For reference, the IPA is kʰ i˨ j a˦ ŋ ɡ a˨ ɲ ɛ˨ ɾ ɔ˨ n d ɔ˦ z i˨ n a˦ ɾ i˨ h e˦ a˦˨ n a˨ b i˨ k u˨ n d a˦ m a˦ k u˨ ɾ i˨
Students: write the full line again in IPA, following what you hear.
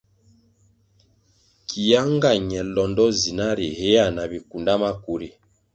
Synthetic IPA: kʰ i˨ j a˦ ŋ ɡ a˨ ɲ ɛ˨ l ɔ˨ n d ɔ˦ z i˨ n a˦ ɾ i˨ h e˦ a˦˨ n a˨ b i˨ k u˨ n d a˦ m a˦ k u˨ ɾ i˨